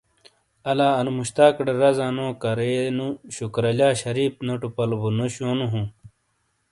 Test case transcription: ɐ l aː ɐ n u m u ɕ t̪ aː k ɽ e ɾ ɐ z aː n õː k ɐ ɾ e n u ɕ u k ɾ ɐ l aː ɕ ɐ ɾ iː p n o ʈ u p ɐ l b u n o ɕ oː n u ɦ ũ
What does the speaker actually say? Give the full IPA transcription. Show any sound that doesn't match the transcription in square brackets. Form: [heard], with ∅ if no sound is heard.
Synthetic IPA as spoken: ɐ l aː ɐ n u m u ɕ t̪ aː k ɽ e ɾ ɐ z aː n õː k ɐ ɾ e n u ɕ u k ɾ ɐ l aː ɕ ɐ ɾ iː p n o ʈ u p ɐ l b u n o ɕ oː n u ɦ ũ